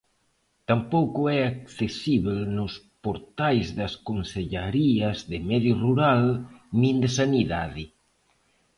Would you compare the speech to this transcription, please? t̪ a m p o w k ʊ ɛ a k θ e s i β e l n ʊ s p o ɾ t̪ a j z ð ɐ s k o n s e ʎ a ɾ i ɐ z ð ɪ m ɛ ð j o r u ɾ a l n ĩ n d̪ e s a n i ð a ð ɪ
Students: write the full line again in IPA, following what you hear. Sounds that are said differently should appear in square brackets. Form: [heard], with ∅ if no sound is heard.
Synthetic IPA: t̪ a m p o w k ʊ ɛ a k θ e s i β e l n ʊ s p o ɾ t̪ a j z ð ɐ s k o n s e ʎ a ɾ i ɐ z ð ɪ m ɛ ð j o r u ɾ a l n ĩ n d̪ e s a n i ð a ð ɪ